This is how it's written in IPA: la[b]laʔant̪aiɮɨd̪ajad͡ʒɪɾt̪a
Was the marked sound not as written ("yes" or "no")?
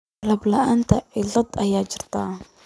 no